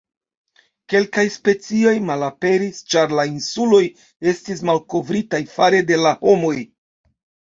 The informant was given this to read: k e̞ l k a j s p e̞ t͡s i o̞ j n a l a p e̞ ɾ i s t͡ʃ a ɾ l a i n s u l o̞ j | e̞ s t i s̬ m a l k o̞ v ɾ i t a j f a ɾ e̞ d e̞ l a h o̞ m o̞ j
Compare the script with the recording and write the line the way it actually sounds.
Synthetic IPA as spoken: k e̞ l k a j s p e̞ t͡s i o̞ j m a l a p e̞ ɾ i s t͡ʃ a ɾ l a i n s u l o̞ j | e̞ s t i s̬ m a l k o̞ v ɾ i t a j f a ɾ e̞ d e̞ l a h o̞ m o̞ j